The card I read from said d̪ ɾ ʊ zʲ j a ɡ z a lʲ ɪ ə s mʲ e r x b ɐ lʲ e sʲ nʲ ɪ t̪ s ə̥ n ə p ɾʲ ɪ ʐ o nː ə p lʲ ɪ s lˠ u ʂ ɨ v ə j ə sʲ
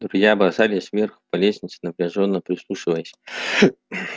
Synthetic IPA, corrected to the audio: d̪ ɾ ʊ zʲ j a b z a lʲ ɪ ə s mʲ e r x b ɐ lʲ e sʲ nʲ ɪ t̪ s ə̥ n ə p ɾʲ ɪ ʐ o nː ə p ɾʲ ɪ s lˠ u ʂ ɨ v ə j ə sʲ